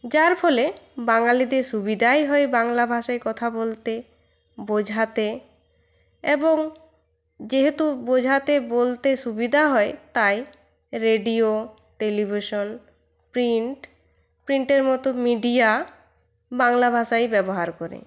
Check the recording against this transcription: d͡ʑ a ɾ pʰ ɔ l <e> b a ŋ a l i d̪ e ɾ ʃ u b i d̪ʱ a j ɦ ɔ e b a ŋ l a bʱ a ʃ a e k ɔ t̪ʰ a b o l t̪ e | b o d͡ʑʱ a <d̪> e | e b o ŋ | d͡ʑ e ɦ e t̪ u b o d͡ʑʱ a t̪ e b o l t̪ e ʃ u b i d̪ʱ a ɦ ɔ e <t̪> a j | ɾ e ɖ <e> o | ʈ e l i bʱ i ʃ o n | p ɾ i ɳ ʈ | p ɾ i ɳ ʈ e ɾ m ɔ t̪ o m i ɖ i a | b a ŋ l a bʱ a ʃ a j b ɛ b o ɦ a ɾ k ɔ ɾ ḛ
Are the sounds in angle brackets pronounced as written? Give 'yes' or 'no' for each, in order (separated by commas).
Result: yes, no, yes, no